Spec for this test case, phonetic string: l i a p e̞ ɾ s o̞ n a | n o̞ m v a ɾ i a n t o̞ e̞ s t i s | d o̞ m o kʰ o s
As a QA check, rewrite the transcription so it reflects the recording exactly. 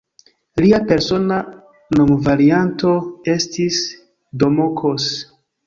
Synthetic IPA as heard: l i a p e̞ ɾ s o̞ n a | n o̞ m v a ɾ i a n t o̞ e̞ s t i s | d o̞ m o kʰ o s